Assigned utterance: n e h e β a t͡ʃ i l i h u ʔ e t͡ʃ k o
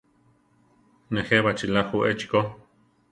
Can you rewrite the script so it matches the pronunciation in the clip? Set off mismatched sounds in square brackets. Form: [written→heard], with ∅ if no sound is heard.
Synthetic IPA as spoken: n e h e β a t͡ʃ i l [i→a] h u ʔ e t͡ʃ k o